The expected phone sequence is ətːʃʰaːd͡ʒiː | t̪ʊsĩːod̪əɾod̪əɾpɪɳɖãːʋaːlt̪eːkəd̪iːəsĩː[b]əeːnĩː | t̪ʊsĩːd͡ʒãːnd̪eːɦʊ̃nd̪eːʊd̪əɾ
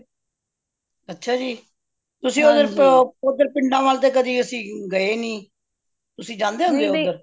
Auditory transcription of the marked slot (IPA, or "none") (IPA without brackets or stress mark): ɡ